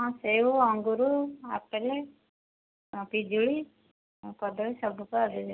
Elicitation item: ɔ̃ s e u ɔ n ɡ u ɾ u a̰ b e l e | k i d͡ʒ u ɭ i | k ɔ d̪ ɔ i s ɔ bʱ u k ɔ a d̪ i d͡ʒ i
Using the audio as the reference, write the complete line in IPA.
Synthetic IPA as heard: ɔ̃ s e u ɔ ŋ ɡ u ɾ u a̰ p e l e | p i d͡ʒ u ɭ i | k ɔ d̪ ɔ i s ɔ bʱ u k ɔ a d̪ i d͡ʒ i